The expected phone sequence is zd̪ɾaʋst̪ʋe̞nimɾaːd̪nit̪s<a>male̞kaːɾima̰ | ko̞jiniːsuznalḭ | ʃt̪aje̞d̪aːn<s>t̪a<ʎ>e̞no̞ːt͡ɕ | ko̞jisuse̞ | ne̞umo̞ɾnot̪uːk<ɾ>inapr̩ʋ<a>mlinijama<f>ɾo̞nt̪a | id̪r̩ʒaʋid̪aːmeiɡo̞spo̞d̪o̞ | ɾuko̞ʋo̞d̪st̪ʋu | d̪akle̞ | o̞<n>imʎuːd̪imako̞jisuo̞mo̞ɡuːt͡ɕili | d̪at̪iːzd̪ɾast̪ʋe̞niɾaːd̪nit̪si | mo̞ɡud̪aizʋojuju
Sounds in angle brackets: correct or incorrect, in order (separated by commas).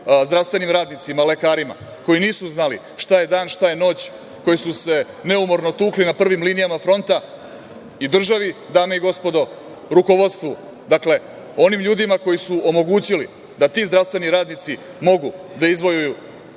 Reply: incorrect, incorrect, incorrect, incorrect, incorrect, correct, correct